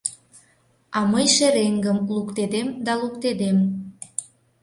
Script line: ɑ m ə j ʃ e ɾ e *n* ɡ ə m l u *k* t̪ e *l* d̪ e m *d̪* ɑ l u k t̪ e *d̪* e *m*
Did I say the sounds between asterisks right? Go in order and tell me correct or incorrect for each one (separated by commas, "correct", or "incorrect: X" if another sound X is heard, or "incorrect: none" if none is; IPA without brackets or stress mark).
incorrect: ŋ, correct, incorrect: none, correct, correct, correct